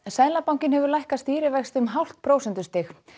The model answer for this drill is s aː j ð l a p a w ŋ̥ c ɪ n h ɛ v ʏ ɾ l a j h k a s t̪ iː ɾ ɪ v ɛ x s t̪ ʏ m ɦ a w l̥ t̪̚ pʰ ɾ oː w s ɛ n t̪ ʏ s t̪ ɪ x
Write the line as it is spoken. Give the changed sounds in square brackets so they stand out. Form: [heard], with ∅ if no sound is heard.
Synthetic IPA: s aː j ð l a p a w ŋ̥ c ɪ n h ɛ v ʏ ɾ l a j h k a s t̪ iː ɾ ɪ v ɛ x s t̪ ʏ m ɦ a w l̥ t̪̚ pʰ ɾ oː w s ɛ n t̪ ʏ s t̪ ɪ x

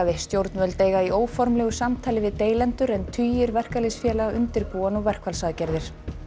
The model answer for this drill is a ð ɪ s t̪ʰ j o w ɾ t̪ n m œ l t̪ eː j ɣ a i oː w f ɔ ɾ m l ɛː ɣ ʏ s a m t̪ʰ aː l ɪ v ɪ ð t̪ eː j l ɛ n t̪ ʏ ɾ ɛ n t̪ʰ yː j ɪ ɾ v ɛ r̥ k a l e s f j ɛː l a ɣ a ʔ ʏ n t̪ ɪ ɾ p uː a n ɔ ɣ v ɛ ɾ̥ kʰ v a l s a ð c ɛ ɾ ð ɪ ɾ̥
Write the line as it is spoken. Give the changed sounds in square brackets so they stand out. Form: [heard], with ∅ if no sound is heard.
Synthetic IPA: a ð ɪ s [t̪] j o w ɾ t̪ n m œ l t̪ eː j ɣ a i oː w f ɔ ɾ m l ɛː ɣ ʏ s a m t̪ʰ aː l ɪ v ɪ ð t̪ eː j l ɛ n t̪ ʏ ɾ ɛ n t̪ʰ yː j ɪ ɾ v ɛ r̥ k a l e s f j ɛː l a ɣ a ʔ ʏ n t̪ ɪ ɾ p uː a n ɔ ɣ v ɛ [r̥] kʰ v a l s a ð c ɛ ɾ ð ɪ ɾ̥

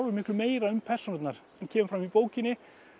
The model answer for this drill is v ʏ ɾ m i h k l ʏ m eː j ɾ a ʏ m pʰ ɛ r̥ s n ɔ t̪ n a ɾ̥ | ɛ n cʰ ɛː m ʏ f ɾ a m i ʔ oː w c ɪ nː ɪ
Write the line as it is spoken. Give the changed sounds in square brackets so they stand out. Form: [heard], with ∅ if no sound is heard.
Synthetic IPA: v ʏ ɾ m [ɪ] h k l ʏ m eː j ɾ a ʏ m pʰ ɛ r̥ s n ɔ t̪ n a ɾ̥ | ɛ n cʰ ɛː m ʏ f ɾ a m i [p] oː w c ɪ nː ɪ

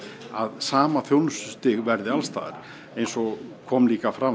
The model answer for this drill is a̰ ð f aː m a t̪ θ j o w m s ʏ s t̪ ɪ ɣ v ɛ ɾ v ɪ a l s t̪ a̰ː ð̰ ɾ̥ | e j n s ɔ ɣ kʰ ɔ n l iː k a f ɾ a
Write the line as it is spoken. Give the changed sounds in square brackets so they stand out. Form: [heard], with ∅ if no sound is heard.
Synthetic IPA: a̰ ð [s] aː m a [∅] θ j o w [n] s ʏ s t̪ ɪ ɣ v ɛ ɾ [ð] ɪ a l s t̪ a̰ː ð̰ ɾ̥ | e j n s ɔ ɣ kʰ ɔ [m] l iː k a f ɾ a

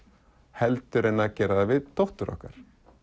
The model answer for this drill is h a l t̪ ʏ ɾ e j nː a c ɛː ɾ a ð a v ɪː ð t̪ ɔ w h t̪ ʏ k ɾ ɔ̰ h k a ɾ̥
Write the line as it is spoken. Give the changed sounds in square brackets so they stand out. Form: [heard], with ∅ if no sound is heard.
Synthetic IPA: h [ɛ] l t̪ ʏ ɾ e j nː a c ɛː ɾ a ð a v [ɪ] ð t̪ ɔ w h t̪ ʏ [∅] ɾ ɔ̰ h k a ɾ̥

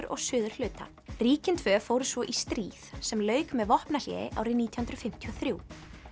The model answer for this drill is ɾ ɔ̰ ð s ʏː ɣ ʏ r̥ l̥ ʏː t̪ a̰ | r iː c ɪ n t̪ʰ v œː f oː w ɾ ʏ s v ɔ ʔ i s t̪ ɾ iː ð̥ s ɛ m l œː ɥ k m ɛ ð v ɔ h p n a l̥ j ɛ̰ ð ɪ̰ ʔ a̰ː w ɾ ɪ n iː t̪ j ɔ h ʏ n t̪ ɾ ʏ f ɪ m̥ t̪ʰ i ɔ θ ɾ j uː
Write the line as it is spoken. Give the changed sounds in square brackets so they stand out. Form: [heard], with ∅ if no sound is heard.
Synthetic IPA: ɾ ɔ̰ [ɣ] s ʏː [ð] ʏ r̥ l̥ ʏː t̪ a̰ | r iː c ɪ n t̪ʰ v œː f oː w ɾ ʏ s v ɔ ʔ i s t̪ ɾ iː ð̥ s ɛ m l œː ɥ k m ɛ ð v ɔ h p n a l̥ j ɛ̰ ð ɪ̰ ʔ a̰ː w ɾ ɪ n iː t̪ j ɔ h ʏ n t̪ ɾ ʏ f ɪ m̥ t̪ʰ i ɔ θ ɾ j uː

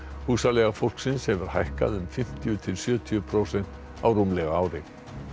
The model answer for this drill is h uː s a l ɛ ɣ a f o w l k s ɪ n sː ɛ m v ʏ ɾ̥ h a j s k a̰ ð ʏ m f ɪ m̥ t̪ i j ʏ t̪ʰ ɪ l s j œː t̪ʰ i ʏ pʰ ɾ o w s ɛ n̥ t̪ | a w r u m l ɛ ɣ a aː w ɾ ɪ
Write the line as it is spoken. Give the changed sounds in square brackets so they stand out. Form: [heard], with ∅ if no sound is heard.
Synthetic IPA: h uː s a l ɛ ɣ a f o w l k s ɪ n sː ɛ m v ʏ ɾ̥ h a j [h] k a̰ ð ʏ m f ɪ m̥ t̪ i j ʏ t̪ʰ ɪ l s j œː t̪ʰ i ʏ pʰ ɾ o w s ɛ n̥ t̪ | a w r u m l ɛ ɣ a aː w ɾ ɪ

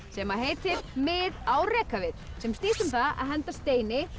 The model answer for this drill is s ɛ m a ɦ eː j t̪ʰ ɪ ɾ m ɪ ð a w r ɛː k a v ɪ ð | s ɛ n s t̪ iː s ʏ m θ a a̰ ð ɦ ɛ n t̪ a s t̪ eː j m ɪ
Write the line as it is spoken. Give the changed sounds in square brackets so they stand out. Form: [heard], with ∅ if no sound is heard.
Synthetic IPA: s ɛ m a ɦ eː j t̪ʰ ɪ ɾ m ɪ ð a w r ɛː k a v ɪ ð | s ɛ [m] s t̪ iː s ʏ m θ a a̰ ð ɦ ɛ n t̪ a s t̪ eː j [n] ɪ

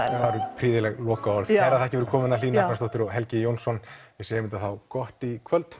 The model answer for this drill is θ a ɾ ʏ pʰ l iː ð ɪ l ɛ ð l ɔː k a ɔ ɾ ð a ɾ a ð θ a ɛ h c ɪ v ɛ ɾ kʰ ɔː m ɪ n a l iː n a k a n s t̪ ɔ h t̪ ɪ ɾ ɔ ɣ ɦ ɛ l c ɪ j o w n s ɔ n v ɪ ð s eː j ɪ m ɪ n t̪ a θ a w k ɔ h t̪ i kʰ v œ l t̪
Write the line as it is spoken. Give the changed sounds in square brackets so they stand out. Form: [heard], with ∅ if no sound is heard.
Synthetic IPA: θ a ɾ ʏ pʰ [ɾ] iː ð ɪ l ɛ [ɣ] l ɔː k a ɔ ɾ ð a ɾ a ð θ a ɛ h c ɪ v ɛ ɾ kʰ ɔː m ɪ n a l iː n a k a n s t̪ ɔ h t̪ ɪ ɾ ɔ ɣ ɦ ɛ l c ɪ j o w n s ɔ n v ɪ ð s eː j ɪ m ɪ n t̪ a θ a w k ɔ h t̪ i kʰ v œ l t̪

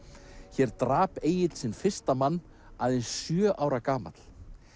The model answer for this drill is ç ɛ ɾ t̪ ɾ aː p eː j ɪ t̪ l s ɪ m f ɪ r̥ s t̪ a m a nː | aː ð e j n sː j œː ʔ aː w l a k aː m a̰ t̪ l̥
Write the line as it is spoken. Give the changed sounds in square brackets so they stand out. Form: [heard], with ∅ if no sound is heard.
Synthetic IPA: ç ɛ ɾ t̪ ɾ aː p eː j ɪ t̪ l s ɪ [n] f ɪ r̥ s t̪ a m a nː | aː ð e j n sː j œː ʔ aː w [ɾ] a k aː m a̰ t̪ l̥

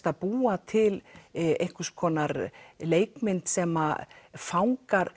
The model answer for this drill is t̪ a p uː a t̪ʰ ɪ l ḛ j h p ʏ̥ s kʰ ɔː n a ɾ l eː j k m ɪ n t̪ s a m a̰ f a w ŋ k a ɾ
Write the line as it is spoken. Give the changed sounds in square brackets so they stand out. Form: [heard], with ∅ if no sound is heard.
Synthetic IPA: t̪ a p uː a t̪ʰ ɪ l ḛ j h [k] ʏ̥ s kʰ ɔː n a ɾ l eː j k m ɪ n t̪ s [ɛ] m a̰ f a w ŋ k a ɾ

